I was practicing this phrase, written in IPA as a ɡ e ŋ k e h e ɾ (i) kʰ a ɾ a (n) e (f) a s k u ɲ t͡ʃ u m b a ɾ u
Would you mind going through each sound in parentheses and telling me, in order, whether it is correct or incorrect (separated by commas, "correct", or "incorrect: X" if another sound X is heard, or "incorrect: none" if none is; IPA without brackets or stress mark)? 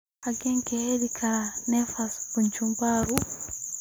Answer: correct, correct, correct